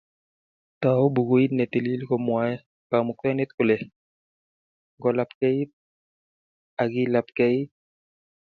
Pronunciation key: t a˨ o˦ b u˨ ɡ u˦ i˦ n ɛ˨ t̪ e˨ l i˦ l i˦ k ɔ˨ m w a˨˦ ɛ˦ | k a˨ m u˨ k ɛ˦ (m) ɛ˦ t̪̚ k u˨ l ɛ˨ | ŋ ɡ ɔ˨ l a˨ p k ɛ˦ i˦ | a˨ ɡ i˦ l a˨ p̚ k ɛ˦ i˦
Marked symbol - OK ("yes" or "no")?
no